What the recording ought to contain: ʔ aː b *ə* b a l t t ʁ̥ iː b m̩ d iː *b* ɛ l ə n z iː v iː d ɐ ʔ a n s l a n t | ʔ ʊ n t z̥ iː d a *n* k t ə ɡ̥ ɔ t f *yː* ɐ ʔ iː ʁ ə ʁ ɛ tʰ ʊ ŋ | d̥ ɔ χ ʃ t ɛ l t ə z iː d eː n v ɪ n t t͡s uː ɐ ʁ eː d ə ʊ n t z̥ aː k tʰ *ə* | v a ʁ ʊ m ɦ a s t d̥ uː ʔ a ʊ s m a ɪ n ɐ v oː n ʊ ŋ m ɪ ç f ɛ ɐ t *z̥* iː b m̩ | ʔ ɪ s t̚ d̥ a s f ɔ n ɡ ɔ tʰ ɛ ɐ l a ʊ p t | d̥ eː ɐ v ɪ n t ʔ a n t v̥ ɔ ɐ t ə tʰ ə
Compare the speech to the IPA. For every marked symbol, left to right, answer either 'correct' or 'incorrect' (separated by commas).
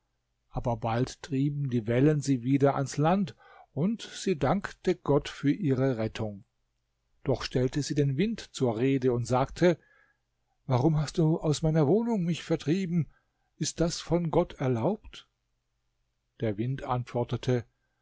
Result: incorrect, incorrect, incorrect, correct, correct, incorrect